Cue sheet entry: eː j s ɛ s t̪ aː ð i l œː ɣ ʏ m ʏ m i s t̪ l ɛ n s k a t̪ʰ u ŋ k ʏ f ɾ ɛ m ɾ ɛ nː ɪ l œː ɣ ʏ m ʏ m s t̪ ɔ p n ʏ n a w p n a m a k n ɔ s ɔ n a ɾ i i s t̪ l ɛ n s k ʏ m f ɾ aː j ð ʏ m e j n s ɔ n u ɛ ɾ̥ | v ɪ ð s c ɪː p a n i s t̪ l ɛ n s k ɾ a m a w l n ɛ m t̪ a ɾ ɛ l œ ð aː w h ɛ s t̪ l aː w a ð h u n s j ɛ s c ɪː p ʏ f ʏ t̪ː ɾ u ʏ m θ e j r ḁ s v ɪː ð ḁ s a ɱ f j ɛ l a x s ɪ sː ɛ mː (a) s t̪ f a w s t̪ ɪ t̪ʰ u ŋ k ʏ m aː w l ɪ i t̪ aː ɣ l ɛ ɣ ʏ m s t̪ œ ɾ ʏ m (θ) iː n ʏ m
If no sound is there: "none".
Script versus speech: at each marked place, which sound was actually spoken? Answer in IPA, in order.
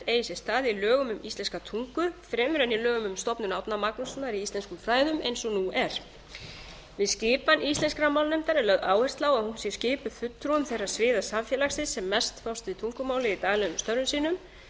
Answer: ɛ, s

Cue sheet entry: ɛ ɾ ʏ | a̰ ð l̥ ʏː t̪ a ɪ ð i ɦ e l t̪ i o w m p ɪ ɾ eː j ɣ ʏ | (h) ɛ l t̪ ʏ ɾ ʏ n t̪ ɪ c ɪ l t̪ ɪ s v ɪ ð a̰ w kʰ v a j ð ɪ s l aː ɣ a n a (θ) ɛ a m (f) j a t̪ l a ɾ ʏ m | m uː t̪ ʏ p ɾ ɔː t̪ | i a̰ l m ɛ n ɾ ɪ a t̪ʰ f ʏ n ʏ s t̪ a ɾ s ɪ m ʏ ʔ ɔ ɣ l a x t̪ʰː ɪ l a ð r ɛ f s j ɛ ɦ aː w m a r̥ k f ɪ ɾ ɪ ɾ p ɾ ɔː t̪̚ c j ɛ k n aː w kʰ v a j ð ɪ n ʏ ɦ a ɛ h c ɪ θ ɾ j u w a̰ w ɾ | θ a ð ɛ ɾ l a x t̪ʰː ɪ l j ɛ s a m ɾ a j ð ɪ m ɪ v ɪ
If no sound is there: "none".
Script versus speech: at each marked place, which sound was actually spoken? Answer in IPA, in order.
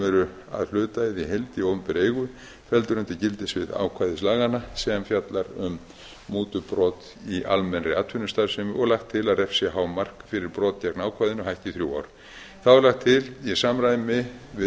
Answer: f, s, f

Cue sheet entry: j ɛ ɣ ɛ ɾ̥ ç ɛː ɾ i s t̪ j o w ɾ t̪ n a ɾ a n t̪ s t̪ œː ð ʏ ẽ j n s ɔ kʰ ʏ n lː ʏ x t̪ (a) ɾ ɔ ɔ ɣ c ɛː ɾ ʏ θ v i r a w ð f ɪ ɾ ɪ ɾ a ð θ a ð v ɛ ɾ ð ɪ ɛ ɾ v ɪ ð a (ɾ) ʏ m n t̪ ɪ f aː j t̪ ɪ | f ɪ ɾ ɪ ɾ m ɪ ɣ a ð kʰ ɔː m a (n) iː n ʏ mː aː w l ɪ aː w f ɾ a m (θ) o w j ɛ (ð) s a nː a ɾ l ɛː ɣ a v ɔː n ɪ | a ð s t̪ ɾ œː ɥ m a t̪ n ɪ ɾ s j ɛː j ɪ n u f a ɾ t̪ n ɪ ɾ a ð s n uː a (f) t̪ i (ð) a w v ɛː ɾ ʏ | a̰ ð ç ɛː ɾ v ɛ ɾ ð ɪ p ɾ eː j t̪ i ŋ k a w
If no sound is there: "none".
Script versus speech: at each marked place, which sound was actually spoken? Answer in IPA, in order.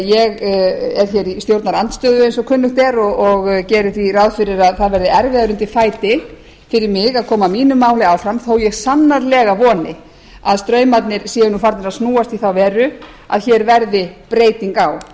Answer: ɛ, ɾ, m, θ, ɣ, s, θ

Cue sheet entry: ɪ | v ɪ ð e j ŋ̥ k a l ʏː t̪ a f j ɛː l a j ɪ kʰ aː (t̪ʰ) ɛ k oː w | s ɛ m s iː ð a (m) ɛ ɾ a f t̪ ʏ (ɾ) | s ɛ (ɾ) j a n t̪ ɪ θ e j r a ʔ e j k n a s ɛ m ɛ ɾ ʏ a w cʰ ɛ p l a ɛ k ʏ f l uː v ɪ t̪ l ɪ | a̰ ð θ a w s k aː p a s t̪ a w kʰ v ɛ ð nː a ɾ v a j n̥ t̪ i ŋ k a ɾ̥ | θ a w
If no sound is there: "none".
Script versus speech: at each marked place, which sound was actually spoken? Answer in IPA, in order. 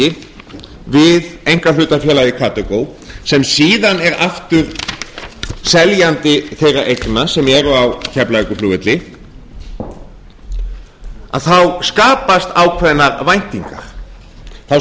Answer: t̪, n, ɾ, l

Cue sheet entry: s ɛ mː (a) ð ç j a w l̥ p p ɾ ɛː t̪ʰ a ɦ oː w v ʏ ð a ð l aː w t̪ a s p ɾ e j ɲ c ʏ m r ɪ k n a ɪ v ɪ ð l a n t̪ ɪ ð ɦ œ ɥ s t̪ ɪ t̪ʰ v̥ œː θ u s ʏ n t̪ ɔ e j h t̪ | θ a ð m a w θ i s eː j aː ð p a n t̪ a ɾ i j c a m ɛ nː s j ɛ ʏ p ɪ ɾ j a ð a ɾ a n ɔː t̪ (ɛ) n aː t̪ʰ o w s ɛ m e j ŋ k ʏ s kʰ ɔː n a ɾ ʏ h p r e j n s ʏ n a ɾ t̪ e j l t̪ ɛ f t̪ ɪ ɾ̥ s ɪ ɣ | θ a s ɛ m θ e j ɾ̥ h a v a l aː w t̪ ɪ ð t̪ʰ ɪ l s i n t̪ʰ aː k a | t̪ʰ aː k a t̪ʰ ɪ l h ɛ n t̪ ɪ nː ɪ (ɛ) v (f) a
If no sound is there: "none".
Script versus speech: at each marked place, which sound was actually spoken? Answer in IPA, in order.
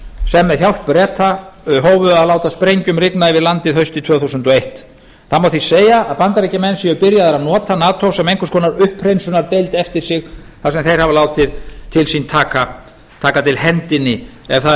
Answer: ɛ, a, ɛ, θ

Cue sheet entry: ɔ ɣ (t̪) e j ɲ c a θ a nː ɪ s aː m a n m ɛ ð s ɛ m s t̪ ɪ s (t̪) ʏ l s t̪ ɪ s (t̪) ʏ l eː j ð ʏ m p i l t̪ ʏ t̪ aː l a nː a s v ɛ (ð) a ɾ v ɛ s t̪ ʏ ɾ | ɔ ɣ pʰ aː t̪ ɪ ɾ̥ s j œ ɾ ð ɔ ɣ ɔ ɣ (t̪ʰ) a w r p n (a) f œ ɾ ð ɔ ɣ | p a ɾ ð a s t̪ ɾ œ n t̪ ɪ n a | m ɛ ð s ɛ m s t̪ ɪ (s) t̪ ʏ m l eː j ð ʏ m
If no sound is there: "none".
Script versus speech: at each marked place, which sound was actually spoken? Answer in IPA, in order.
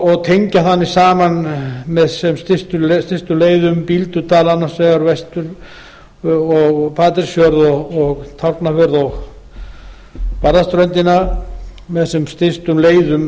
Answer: t̪ʰ, t̪, t̪, ɣ, t̪ʰ, a, s

